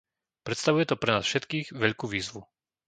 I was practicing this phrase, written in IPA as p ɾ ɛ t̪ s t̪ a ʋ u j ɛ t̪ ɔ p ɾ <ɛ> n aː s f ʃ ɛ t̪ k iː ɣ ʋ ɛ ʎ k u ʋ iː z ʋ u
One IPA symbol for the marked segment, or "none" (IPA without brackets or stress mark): ɛ